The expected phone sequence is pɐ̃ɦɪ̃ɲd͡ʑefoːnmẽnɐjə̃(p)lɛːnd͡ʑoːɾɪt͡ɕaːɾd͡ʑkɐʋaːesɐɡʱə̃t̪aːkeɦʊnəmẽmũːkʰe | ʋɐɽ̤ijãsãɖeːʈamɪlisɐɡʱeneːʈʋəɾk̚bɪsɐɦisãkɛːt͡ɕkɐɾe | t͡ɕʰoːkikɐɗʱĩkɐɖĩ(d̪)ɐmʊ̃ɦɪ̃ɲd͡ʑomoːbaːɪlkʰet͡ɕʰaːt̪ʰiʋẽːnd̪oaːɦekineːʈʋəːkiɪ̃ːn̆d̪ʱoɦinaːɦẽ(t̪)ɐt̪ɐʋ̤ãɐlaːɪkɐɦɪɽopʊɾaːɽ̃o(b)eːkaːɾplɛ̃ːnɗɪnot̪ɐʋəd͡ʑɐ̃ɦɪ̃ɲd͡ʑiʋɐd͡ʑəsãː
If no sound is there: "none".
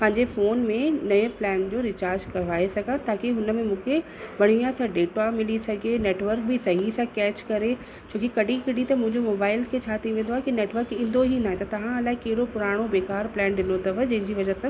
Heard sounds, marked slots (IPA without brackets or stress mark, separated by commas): p, t̪, t̪, b